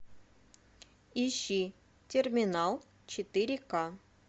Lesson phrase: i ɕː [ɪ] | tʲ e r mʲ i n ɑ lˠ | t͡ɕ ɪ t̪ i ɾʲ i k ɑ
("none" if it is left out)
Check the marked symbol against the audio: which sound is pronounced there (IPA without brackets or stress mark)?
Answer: i